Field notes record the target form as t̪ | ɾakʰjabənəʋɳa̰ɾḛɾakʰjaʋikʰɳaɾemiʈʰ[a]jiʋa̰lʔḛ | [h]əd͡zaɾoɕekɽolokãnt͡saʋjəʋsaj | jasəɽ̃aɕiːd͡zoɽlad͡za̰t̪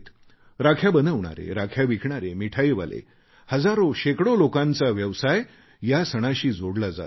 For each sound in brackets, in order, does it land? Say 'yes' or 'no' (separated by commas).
yes, yes